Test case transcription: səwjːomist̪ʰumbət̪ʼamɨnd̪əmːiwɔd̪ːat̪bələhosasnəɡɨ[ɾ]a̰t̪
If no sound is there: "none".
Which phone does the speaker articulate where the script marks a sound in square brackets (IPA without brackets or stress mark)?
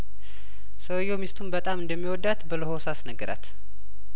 ɾ